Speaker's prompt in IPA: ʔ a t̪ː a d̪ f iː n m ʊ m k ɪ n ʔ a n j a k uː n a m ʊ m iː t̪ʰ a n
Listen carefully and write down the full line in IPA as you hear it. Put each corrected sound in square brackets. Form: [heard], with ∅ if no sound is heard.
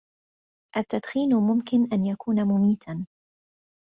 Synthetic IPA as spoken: ʔ a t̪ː a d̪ [x] iː n m ʊ m k ɪ n ʔ a n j a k uː n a m ʊ m iː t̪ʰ a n